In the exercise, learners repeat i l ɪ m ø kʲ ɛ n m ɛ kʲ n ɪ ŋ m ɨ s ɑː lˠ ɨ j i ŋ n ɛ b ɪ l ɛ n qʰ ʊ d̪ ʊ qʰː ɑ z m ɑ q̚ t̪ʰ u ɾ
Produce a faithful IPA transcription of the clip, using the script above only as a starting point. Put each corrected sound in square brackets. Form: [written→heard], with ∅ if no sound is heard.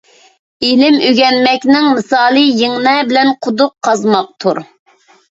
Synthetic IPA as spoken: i l ɪ m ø [kʲ→ɡʲ] ɛ n m ɛ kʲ n ɪ ŋ m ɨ s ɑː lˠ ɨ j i ŋ n ɛ b ɪ l ɛ n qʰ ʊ d̪ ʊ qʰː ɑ z m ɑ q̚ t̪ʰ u ɾ